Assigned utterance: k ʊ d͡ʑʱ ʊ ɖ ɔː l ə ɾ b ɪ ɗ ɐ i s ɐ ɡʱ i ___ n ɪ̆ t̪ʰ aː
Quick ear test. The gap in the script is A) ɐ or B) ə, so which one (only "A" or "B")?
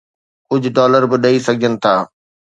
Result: B